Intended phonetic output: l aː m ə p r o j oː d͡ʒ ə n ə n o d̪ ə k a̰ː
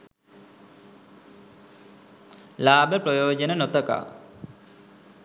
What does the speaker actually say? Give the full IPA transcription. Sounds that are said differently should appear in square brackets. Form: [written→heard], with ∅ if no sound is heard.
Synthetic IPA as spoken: l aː [m→b] ə p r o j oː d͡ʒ ə n ə n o [d̪→t̪] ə k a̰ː